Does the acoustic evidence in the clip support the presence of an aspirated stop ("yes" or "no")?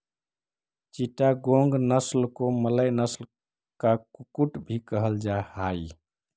no